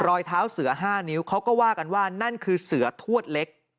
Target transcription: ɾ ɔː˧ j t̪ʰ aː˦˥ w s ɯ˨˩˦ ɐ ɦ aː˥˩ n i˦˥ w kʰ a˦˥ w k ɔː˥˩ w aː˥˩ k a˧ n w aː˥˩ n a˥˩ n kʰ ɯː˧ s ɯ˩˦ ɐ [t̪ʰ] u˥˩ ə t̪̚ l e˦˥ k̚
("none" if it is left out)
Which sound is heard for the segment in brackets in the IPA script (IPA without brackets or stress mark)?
t̪ʰ